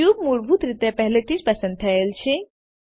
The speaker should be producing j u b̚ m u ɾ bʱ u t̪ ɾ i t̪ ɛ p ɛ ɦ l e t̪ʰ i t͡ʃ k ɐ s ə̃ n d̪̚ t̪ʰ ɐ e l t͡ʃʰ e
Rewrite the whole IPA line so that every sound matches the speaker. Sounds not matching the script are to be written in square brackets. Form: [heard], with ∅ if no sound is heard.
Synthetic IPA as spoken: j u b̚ m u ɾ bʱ u t̪ ɾ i t̪ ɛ p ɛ ɦ l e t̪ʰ i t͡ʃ [p] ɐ s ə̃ n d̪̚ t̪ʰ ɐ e l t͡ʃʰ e